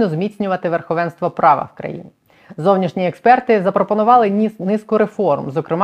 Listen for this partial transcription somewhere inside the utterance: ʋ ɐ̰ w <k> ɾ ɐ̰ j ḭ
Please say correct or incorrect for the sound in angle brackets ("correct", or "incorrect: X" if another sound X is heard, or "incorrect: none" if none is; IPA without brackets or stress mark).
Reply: correct